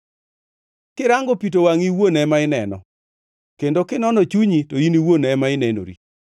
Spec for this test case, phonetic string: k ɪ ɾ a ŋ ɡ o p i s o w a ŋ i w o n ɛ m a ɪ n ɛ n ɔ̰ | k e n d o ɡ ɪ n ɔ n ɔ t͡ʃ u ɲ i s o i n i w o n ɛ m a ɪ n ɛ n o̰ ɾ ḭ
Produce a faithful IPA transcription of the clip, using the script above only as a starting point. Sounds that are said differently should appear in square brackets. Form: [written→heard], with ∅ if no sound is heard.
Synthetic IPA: k ɪ ɾ a ŋ ɡ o p i [s→t] o w a ŋ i w o n ɛ m a ɪ n ɛ n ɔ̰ | k e n d o [ɡ→k] ɪ n ɔ n ɔ t͡ʃ u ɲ i [s→t] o i n i w o n ɛ m a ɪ n ɛ n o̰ ɾ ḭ